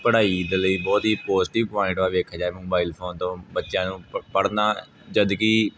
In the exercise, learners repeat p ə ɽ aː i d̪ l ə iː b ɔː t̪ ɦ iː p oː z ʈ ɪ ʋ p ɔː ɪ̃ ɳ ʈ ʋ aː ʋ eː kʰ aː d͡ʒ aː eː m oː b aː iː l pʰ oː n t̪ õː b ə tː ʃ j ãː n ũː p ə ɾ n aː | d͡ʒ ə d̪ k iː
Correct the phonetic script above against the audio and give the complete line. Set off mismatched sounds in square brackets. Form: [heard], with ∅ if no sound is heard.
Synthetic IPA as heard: p ə ɽ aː i d̪ l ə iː b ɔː t̪ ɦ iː p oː z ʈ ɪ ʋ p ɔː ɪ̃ ɳ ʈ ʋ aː ʋ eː kʰ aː d͡ʒ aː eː m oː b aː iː l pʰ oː n t̪ õː b ə tː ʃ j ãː n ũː p ə [ɽ] n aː | d͡ʒ ə d̪ k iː